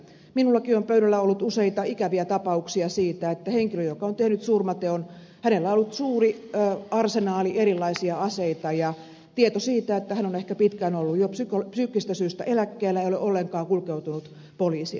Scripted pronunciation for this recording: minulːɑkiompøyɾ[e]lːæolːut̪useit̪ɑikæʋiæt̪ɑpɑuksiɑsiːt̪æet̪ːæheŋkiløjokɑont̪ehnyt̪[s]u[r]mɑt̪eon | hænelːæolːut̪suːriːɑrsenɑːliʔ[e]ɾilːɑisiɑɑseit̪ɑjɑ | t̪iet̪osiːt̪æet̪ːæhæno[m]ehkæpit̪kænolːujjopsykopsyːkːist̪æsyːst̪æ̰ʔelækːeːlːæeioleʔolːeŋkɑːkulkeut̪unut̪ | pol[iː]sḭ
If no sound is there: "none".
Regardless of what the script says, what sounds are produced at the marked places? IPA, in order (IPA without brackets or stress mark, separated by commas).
æ, s, r, e, n, iː